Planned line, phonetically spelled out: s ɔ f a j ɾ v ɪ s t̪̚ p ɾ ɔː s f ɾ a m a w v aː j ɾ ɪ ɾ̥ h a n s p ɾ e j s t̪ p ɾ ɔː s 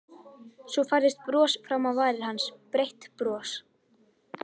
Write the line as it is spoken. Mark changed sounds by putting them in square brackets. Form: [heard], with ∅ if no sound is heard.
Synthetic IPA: s ɔ f a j ɾ [ð] ɪ s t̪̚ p ɾ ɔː s f ɾ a m a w v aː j ɾ ɪ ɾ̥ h a n s p ɾ e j [h] t̪ p ɾ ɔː s